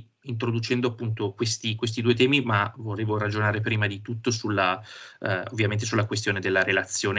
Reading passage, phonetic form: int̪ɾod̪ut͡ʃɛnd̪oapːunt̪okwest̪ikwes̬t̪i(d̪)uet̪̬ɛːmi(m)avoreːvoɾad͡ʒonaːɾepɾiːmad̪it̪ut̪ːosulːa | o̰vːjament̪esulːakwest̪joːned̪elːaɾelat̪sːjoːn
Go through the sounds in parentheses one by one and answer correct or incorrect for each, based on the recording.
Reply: correct, correct

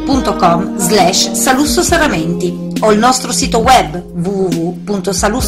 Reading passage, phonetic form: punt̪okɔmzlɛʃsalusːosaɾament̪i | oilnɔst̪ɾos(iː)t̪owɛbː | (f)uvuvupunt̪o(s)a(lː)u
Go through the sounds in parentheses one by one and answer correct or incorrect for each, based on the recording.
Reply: correct, incorrect: v, correct, incorrect: l

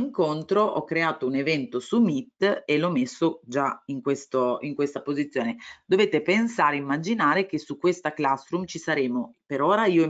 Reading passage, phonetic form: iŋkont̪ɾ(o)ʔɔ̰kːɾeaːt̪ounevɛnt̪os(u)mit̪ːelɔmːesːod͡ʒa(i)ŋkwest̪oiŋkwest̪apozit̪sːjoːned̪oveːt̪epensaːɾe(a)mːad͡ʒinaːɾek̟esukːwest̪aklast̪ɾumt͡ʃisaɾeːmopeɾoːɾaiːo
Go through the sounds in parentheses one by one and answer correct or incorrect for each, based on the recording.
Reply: correct, correct, correct, incorrect: i

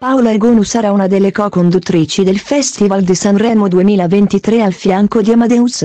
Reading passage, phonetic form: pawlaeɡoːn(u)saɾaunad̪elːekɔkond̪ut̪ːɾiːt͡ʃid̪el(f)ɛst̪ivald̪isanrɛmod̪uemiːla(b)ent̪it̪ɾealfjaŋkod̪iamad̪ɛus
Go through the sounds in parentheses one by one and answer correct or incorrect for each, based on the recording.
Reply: correct, correct, incorrect: v

